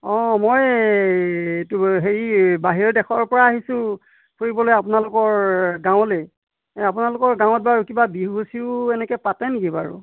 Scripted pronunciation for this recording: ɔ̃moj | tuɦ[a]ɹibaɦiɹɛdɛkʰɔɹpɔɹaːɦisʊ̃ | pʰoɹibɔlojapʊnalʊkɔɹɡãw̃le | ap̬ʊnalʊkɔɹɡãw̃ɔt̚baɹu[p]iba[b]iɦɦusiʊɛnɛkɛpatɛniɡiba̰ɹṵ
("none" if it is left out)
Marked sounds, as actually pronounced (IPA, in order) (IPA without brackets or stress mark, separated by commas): e, k, b